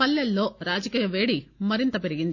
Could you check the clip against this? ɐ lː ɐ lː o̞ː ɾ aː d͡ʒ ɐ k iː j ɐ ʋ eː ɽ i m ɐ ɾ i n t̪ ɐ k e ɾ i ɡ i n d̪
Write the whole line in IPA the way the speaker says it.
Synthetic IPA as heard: ɐ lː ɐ lː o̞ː ɾ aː d͡ʒ ɐ k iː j ɐ ʋ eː ɽ i m ɐ ɾ i n t̪ ɐ p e ɾ i ɡ i n d̪